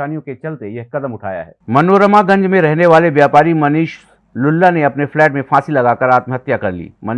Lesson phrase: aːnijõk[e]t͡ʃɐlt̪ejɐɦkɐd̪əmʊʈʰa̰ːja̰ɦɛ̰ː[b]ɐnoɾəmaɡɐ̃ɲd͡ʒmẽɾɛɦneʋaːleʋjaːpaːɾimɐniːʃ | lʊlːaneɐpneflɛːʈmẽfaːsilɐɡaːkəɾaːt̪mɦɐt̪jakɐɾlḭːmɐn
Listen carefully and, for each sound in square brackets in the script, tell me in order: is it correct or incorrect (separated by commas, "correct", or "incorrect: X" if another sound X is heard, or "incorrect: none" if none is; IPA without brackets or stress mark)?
correct, incorrect: m